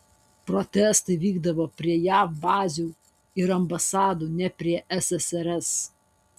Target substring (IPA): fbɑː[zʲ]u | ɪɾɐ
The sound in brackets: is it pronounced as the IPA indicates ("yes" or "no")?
yes